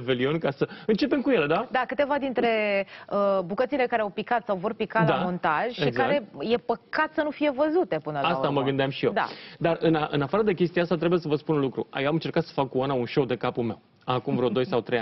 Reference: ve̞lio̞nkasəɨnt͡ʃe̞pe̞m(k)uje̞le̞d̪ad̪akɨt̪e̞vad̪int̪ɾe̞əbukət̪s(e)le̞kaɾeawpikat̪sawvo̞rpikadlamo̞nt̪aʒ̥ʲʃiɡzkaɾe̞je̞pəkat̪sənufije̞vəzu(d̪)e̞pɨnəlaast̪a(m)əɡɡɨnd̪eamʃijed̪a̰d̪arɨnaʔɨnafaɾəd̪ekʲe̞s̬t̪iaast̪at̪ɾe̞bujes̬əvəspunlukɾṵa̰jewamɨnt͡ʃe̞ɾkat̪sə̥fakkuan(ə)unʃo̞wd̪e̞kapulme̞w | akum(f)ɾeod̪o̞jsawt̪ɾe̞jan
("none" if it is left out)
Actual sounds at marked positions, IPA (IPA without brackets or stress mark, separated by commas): k, i, t̪, m, a, v